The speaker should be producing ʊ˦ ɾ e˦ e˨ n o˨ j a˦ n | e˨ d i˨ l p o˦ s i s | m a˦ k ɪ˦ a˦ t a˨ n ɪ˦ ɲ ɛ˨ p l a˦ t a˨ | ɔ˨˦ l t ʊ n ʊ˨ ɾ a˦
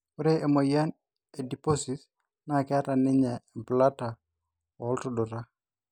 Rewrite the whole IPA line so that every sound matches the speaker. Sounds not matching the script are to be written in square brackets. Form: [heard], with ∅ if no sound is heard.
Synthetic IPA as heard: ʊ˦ ɾ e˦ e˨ [m] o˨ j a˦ n | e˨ d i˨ [∅] p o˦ s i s | [n] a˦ k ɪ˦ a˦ t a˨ n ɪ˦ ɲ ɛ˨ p l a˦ t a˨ | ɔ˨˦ l t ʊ [d] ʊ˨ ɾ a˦